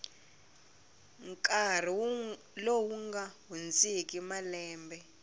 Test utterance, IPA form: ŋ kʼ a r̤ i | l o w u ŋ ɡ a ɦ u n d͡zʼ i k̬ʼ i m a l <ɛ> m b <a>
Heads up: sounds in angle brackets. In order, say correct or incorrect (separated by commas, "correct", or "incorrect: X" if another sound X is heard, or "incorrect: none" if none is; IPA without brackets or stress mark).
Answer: incorrect: ɛː, incorrect: ɛ